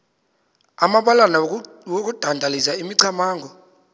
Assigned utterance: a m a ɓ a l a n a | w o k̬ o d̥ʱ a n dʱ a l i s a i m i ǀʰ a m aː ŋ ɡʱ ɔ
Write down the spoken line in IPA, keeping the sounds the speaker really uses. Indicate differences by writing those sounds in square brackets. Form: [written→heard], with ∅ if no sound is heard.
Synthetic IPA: a m a ɓ a l a n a | w o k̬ [o→u] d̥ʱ a n dʱ a l i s a i m i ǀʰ a m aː ŋ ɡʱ ɔ